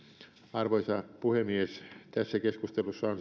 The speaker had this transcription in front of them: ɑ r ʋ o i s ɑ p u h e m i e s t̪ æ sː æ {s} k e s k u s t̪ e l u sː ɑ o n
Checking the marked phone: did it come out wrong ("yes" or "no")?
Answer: yes